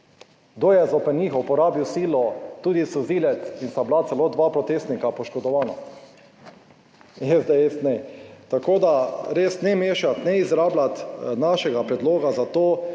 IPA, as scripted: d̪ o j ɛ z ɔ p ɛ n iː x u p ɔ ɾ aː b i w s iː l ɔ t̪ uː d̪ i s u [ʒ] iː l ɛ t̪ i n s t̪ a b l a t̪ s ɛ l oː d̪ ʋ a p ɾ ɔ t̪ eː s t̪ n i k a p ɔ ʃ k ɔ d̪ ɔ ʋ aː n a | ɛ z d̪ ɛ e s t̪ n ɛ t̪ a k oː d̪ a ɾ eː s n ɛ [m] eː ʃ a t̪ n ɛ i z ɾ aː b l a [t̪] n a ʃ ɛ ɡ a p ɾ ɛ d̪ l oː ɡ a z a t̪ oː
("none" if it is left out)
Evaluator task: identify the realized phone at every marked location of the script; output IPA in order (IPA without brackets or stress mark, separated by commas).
z, m, t̪